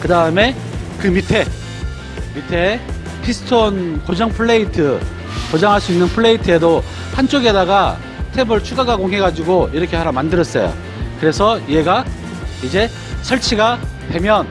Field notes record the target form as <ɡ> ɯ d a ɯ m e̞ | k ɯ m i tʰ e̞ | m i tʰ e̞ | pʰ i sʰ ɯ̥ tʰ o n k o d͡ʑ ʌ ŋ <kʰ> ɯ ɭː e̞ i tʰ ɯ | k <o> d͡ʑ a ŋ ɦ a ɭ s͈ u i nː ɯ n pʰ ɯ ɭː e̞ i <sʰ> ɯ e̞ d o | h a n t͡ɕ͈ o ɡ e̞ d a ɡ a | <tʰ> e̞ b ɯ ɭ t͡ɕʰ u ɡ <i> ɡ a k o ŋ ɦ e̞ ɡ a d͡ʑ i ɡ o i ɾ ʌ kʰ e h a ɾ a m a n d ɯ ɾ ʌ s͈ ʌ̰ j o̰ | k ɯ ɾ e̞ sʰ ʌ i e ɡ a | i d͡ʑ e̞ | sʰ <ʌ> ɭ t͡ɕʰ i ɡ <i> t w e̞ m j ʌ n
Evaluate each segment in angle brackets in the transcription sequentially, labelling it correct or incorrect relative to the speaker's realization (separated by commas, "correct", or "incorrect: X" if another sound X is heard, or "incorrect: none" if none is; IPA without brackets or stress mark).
incorrect: k, incorrect: pʰ, correct, incorrect: tʰ, correct, incorrect: a, correct, incorrect: a